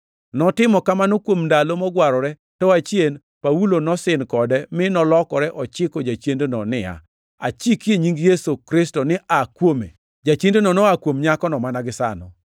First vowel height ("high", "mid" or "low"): mid